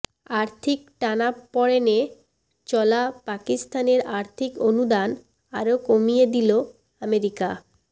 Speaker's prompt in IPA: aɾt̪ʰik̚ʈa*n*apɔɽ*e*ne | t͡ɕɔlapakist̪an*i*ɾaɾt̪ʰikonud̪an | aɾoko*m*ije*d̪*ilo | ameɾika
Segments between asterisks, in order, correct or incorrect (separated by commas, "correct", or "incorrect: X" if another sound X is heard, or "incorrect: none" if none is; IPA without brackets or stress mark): correct, correct, incorrect: e, correct, correct